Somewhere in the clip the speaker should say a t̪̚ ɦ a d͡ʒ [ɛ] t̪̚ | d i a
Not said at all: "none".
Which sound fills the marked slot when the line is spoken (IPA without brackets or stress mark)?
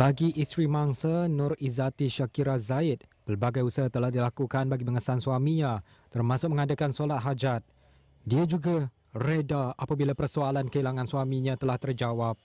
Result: a